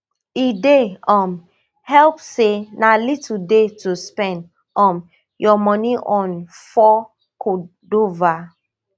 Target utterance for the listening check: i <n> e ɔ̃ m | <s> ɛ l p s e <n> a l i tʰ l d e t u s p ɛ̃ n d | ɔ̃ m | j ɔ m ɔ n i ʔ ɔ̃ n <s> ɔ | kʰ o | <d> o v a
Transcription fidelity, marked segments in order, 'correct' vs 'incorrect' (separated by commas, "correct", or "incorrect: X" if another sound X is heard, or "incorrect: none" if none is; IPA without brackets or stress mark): incorrect: d, incorrect: h, correct, incorrect: f, correct